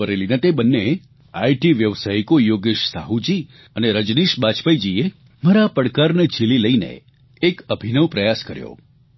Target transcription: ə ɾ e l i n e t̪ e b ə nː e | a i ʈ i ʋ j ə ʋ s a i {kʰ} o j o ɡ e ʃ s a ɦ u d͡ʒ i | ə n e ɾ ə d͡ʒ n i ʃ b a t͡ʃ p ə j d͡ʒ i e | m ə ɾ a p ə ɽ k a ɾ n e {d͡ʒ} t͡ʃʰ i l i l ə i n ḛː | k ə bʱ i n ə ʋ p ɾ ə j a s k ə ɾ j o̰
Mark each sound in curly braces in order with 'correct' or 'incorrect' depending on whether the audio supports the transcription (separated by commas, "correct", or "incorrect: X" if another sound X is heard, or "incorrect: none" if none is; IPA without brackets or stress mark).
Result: incorrect: k, incorrect: none